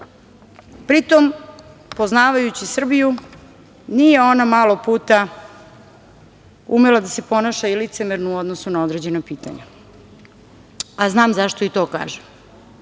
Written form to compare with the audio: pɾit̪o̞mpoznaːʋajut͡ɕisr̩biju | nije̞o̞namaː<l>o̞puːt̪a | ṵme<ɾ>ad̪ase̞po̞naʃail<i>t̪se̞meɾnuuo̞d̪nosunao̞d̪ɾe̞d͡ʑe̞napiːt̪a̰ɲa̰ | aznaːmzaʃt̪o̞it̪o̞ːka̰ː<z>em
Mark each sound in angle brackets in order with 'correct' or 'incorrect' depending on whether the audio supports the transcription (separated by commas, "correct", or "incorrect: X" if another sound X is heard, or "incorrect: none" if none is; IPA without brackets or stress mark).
correct, incorrect: l, correct, incorrect: ʒ